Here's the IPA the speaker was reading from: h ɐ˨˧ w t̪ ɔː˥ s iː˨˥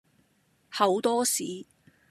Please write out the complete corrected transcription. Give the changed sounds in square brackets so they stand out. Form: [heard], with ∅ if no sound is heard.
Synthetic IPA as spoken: h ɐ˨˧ w t̪ ɔː˥ s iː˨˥

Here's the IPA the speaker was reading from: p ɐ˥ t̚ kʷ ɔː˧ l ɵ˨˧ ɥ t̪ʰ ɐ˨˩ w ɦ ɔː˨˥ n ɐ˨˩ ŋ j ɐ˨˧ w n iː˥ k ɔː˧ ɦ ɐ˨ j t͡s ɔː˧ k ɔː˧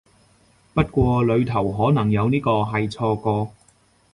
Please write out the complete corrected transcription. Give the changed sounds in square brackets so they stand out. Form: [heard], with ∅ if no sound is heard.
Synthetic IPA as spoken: p ɐ˥ t̚ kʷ ɔː˧ l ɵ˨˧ ɥ t̪ʰ ɐ˨˩ w ɦ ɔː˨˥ n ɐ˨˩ ŋ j ɐ˨˧ w n iː˥ k ɔː˧ ɦ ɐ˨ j [t͡sʰ] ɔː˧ k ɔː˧

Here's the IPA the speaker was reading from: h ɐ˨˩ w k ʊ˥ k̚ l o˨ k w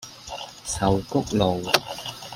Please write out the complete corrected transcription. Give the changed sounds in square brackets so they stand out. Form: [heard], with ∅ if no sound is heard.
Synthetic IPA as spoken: [s] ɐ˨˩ w k ʊ˥ k̚ l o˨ [∅] w

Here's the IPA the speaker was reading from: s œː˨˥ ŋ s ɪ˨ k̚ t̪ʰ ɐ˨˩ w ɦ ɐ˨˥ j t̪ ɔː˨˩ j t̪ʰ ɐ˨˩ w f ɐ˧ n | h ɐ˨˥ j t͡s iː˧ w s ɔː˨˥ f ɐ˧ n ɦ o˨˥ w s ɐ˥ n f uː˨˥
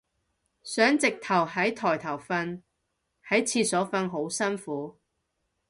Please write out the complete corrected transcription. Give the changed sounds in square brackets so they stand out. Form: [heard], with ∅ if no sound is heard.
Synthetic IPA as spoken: s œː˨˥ ŋ [t͡s] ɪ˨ k̚ t̪ʰ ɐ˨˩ w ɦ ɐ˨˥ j [t̪ʰ] ɔː˨˩ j t̪ʰ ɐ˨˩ w f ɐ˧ n | h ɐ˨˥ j [t͡sʰ] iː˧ [∅] s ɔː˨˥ f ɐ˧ n ɦ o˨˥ w s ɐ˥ n f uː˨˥

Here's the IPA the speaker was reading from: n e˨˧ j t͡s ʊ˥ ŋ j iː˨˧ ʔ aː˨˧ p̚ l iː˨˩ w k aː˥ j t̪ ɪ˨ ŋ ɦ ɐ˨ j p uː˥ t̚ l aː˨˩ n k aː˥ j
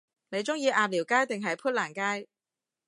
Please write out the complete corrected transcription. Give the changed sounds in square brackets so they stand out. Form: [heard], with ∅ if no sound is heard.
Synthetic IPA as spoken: n e˨˧ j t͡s ʊ˥ ŋ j iː˨˧ ʔ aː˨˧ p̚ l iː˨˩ w k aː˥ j t̪ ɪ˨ ŋ ɦ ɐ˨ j [pʰ] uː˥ t̚ l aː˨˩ n k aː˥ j

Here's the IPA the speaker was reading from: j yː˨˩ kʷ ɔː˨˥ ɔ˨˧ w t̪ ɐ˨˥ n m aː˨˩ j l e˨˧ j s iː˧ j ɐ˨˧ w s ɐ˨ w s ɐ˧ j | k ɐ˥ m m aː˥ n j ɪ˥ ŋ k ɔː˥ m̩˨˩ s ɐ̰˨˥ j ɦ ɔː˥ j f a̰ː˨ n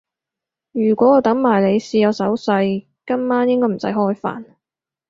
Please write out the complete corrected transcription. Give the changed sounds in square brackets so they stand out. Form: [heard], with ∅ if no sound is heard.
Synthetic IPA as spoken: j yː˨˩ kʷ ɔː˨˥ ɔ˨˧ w t̪ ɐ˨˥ [ŋ] m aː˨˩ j l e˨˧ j s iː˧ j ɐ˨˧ w s [ɐ˨˥] w s ɐ˧ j | k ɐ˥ m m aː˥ n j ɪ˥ ŋ k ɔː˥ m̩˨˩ s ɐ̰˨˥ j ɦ ɔː˥ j f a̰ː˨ n

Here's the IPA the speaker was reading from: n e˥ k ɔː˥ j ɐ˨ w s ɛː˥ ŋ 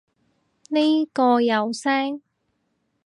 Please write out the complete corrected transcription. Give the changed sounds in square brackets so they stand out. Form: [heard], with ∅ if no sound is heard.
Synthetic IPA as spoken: n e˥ k [ɔː˧] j ɐ˨ w s ɛː˥ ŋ

